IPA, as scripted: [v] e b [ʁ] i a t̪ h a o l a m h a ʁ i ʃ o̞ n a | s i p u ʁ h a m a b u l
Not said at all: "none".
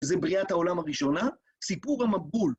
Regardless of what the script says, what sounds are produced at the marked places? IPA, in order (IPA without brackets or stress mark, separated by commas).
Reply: z, ʁ